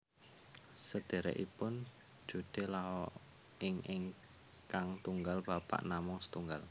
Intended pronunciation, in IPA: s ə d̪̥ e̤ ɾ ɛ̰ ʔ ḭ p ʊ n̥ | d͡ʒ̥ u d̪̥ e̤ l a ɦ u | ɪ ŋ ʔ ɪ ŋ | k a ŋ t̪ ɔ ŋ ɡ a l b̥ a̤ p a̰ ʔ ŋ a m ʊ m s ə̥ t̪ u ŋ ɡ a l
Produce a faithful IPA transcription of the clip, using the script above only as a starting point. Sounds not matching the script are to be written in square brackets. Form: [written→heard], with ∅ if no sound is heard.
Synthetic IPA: s ə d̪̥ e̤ ɾ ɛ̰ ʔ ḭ p ʊ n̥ | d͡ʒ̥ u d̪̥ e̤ l a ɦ [u→ɔ] | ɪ ŋ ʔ ɪ ŋ | k a ŋ t̪ [ɔ→u] ŋ ɡ a l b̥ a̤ p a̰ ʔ [ŋ→n] a m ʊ [m→ŋ] s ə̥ t̪ u ŋ ɡ a l